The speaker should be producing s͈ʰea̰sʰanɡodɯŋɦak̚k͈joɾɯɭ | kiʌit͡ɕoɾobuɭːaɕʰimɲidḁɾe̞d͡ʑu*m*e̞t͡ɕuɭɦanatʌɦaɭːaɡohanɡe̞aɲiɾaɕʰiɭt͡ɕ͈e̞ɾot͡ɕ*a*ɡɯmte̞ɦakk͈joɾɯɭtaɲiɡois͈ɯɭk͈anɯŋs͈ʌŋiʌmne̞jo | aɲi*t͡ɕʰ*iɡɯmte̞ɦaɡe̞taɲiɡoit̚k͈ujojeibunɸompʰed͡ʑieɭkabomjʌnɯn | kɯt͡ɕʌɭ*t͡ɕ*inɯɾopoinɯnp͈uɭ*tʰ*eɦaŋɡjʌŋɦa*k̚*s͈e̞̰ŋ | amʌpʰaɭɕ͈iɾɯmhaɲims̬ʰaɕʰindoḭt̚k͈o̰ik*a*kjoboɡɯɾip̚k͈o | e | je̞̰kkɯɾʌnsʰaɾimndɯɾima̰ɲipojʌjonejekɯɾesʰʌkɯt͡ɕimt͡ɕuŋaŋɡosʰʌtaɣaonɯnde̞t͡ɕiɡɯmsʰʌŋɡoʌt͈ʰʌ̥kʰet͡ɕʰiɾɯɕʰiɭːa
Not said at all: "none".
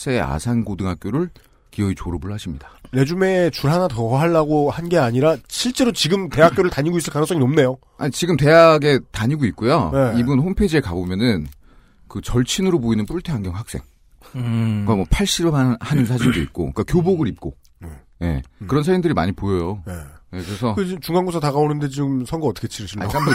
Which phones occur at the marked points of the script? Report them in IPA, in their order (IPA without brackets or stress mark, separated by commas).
m, i, t͡ɕ, t͡ɕʰ, tʰ, k̚, a